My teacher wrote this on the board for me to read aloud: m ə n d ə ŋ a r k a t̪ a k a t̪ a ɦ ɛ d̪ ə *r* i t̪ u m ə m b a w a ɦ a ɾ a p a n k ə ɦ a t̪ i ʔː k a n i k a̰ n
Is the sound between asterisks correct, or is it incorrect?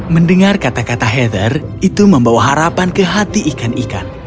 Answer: correct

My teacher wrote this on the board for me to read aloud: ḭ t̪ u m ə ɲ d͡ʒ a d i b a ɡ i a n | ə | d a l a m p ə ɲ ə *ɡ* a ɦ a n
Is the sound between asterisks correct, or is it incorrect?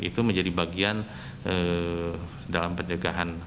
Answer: correct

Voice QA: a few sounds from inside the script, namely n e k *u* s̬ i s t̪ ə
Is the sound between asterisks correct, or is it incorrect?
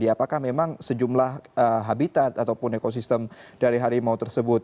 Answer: incorrect: o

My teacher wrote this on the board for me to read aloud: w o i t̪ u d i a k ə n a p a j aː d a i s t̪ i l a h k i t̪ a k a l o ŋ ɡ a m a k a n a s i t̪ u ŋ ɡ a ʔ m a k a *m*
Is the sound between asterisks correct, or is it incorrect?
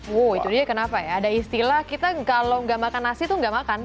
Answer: incorrect: n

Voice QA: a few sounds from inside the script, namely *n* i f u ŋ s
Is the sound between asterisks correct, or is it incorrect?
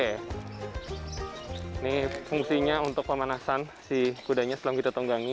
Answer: correct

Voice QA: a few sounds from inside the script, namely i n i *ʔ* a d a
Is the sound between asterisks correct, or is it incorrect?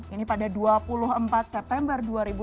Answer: incorrect: p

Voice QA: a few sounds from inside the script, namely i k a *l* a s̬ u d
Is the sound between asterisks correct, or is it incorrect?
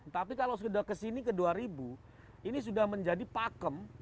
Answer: correct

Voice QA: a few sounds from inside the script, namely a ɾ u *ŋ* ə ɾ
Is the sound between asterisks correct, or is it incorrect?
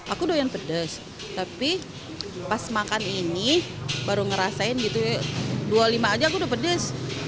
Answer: correct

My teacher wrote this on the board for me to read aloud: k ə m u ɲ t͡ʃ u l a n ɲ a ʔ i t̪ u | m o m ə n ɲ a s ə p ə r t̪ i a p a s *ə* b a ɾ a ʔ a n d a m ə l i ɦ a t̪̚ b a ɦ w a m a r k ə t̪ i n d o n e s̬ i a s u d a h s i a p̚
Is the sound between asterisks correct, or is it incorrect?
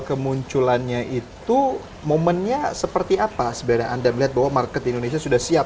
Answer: correct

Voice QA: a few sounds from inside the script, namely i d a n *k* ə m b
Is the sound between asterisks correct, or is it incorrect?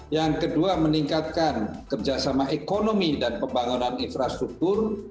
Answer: incorrect: p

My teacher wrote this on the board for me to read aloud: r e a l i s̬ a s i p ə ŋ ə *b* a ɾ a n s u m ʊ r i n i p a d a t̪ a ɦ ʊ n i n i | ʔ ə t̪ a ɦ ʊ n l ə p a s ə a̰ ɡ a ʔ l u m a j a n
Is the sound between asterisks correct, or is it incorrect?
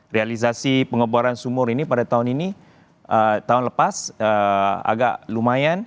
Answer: correct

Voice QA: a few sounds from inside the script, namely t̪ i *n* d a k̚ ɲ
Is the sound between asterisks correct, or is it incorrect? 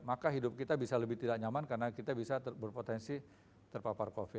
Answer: incorrect: none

